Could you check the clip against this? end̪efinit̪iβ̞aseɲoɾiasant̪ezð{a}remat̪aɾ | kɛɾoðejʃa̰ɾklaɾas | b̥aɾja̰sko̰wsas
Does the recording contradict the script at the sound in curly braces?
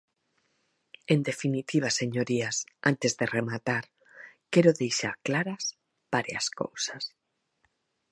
yes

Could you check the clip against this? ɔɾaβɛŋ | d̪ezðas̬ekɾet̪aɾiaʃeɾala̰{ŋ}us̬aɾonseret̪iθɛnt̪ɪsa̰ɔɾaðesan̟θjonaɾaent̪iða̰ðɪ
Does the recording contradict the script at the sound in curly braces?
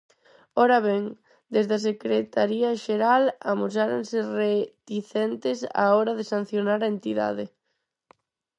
yes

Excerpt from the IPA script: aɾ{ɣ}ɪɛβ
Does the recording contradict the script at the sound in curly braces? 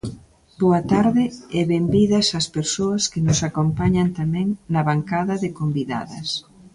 yes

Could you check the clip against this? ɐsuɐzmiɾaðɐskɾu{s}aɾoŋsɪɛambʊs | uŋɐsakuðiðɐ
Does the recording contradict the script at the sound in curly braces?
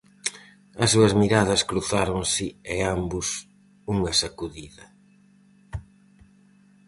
yes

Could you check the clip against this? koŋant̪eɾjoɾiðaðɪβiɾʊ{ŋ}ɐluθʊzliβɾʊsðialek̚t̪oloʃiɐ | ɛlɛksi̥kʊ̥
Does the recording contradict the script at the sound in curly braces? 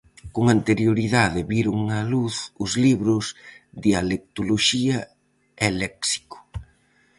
no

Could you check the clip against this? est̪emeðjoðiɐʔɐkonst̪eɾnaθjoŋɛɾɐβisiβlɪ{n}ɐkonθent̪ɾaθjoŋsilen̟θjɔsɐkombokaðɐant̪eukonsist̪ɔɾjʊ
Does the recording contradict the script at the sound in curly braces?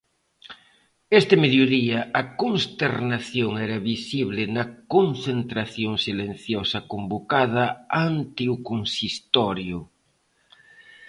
no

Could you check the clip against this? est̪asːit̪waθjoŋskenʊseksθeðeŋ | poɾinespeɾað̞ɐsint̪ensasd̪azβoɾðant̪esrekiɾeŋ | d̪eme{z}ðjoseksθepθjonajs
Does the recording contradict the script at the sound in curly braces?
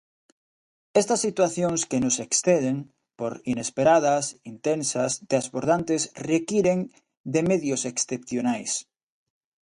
yes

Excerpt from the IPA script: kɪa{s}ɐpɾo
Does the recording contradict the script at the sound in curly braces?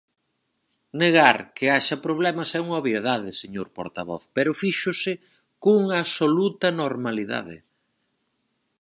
yes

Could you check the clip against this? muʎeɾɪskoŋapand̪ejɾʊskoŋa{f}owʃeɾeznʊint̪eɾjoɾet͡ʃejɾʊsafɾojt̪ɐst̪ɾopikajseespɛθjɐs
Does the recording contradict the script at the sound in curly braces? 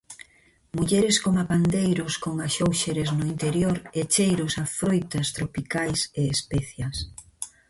yes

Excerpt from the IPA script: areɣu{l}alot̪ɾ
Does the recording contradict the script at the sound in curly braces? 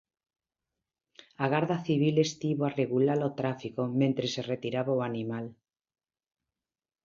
no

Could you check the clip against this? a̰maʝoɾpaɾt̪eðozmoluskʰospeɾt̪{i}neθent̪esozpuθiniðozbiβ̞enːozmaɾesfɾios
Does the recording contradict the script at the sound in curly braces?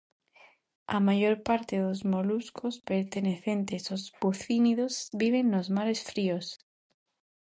yes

